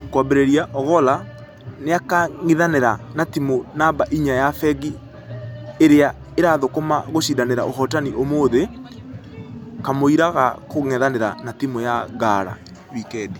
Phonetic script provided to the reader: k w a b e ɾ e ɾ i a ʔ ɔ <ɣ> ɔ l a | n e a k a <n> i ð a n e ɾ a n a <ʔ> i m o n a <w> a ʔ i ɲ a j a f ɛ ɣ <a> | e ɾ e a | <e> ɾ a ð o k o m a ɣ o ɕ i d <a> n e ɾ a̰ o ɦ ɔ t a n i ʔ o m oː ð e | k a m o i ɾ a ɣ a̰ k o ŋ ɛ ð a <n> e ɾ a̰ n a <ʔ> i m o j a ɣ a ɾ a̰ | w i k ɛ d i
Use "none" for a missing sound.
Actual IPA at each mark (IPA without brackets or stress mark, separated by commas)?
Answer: ɣ, ŋ, t, b, i, e, a, n, t